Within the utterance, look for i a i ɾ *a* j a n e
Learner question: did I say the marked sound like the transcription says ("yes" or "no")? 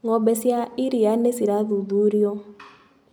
no